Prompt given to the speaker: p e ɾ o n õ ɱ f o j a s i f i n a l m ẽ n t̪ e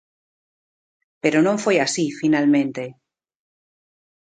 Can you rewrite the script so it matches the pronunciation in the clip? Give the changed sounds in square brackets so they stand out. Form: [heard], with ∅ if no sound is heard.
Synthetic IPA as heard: p e ɾ o n õ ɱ f o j a s i f i n a l m ẽ n t̪ e